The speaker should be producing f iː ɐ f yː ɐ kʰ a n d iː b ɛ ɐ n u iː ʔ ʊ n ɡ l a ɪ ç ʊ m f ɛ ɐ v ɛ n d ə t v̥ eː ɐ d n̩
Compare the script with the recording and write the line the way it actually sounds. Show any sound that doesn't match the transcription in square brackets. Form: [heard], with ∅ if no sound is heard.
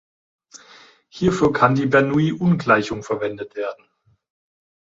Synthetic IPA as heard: [h] iː ɐ f yː ɐ kʰ a n d iː b ɛ ɐ n u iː ʔ ʊ n ɡ l a ɪ ç ʊ [ŋ] f ɛ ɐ v ɛ n d ə t v̥ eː ɐ d n̩